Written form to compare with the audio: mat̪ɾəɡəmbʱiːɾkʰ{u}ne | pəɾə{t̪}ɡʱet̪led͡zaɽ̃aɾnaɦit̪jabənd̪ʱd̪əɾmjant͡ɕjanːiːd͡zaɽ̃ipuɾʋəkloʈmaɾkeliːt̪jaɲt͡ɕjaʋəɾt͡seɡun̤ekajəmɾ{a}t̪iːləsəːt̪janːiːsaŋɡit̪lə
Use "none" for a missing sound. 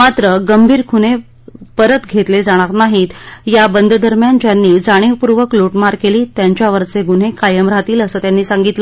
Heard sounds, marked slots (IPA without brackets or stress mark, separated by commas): u, t̪, a